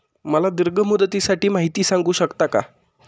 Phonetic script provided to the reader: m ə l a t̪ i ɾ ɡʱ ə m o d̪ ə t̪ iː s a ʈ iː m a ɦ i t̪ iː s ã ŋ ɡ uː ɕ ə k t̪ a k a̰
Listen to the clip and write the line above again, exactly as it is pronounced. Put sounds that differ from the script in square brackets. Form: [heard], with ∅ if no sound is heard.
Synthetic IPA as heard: m ə l a [d̪] i ɾ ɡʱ ə m [u] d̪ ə t̪ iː s a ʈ iː m a ɦ i t̪ iː s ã ŋ ɡ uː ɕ ə k t̪ a k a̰